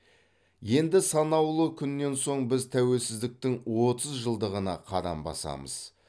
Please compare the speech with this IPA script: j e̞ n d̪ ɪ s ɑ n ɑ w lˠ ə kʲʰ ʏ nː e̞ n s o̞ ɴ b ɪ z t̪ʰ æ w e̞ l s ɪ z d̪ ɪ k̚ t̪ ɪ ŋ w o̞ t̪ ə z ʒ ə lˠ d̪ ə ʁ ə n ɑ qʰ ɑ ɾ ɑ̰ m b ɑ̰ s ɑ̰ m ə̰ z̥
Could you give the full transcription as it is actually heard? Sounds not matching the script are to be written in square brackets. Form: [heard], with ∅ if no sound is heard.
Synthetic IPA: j e̞ n d̪ ɪ s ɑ n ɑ w lˠ ə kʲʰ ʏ nː e̞ n s o̞ ɴ b ɪ z t̪ʰ æ w e̞ l s ɪ z d̪ ɪ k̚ t̪ ɪ ŋ w o̞ t̪ ə z ʒ ə lˠ d̪ ə ʁ ə n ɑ qʰ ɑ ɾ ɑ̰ m b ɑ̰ s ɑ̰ m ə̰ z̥